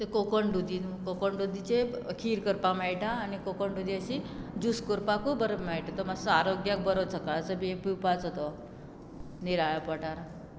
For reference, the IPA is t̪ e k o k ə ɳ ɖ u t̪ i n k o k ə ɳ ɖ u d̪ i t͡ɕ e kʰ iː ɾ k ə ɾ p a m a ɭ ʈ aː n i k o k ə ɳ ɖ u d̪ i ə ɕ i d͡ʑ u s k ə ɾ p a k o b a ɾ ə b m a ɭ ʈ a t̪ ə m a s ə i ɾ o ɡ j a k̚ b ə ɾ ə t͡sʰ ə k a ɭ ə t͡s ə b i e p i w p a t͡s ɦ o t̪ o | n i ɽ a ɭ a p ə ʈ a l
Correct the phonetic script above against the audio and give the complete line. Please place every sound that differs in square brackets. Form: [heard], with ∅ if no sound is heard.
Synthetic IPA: t̪ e k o k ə ɳ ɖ u [d̪] i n k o k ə ɳ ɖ u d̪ i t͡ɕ e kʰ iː ɾ k ə ɾ p a m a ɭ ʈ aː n i k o k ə ɳ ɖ u d̪ i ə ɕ i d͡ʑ u s k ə ɾ p a k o b [ə] ɾ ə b m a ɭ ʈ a t̪ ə m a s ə [a] ɾ o ɡ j a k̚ b ə ɾ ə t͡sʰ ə k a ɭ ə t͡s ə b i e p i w p a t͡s ɦ o t̪ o | n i [ɾ] a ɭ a p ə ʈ a [ɾ]